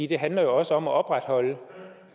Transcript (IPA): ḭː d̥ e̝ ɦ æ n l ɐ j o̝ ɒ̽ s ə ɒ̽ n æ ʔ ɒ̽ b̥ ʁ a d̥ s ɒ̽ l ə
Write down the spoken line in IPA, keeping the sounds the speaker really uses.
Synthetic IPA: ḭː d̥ e̝ ɦ æ n l ɐ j o̝ ɒ̽ s ə ɒ̽ m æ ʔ ɒ̽ b̥ ʁ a d̥ h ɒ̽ l ə